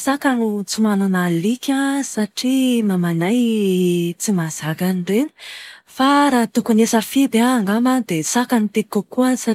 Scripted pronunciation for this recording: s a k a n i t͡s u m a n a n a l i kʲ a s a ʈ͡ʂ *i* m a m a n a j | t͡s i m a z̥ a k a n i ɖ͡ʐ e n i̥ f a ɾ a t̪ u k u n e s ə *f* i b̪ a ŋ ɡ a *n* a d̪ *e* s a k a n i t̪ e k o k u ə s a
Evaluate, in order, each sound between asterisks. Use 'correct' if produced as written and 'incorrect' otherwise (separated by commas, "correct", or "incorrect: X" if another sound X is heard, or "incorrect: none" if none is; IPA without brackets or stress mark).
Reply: correct, correct, incorrect: m, correct